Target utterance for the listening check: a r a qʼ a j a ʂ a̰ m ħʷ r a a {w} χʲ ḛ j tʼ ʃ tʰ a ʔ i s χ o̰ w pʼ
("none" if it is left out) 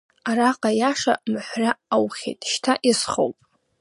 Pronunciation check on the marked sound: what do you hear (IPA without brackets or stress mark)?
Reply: w